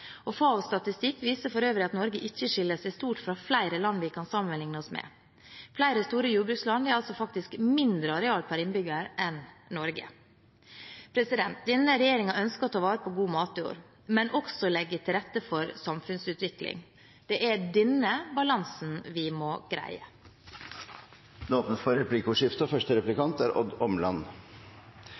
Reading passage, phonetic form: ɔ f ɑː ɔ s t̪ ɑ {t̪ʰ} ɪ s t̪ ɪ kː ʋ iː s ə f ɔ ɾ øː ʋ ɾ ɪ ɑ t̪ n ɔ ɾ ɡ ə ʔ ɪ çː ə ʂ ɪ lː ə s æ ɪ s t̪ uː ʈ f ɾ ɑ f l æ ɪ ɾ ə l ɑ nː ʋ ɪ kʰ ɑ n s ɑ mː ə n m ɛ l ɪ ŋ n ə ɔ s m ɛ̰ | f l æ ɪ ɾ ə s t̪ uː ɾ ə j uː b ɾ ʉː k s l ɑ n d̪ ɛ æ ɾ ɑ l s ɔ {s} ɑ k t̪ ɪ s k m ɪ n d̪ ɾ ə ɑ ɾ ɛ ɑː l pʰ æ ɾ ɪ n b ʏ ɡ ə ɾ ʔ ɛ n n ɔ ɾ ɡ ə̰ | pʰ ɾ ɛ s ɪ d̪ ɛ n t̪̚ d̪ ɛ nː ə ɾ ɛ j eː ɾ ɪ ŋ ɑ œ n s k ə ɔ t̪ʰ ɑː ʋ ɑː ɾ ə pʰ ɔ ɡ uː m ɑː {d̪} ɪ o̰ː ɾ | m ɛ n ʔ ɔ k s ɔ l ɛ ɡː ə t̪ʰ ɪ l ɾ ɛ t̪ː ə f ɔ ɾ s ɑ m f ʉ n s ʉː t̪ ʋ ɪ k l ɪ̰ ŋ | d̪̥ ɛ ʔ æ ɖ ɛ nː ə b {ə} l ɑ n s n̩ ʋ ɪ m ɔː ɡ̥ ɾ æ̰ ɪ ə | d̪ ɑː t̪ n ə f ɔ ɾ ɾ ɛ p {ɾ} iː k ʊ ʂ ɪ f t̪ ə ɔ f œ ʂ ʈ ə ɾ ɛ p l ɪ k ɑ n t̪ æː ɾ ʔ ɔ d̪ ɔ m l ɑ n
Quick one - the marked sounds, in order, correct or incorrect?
incorrect, incorrect, incorrect, incorrect, incorrect

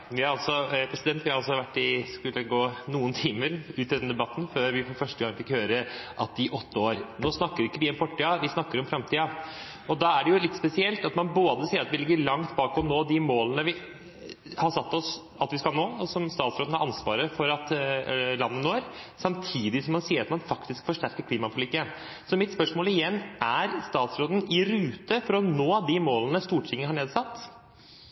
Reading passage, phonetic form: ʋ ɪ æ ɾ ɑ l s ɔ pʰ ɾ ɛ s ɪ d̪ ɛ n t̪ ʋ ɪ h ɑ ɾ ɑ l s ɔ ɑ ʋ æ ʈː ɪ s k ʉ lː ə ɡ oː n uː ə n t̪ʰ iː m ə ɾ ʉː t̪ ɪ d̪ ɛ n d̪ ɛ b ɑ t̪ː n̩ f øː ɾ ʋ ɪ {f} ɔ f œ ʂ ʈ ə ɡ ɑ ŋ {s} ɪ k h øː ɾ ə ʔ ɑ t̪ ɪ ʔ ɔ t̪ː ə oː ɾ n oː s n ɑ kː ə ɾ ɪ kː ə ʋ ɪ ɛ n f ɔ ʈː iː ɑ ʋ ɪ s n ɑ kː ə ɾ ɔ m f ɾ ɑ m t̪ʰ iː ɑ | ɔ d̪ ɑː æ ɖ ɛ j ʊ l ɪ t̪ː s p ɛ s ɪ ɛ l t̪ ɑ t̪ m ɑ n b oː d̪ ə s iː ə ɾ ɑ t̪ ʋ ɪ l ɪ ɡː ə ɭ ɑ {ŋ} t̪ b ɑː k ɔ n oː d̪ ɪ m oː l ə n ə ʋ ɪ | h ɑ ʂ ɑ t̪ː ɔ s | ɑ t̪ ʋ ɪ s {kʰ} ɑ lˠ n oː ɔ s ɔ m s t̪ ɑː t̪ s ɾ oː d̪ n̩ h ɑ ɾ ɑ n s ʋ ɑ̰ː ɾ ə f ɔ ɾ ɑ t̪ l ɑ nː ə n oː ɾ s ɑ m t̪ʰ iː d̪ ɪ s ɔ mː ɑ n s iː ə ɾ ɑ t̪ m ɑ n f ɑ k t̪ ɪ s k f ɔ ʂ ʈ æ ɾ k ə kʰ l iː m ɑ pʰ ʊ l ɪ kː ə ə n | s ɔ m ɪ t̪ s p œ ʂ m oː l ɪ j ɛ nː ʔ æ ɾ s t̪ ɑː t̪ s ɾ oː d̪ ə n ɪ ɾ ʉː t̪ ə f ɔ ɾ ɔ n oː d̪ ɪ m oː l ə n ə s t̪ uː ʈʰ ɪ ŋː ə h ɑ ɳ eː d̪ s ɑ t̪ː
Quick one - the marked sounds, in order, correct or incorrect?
correct, incorrect, correct, incorrect

